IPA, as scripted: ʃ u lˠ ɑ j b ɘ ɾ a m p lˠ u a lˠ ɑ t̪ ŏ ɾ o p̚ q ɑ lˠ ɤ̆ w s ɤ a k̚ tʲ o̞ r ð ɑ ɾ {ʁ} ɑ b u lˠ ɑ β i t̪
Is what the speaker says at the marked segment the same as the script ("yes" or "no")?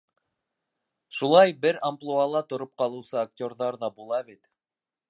no